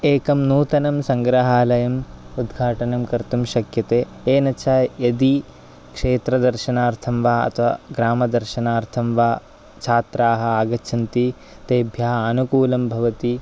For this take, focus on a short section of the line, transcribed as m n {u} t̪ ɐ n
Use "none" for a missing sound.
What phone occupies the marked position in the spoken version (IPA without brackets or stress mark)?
uː